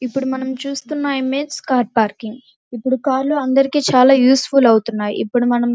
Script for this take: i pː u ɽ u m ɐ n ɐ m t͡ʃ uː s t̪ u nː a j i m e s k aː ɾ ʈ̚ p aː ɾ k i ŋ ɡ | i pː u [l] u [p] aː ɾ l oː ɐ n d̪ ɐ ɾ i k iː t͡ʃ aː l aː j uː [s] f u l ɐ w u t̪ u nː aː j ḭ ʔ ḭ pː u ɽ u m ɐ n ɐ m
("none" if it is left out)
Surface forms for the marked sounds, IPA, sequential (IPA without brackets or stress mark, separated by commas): ɽ, k, s